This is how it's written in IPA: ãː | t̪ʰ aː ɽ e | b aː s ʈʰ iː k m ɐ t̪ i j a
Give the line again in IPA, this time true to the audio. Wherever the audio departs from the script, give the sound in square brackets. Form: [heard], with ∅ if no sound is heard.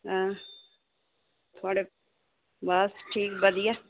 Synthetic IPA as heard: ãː | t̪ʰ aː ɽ e | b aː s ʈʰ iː k [b] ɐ [d̪] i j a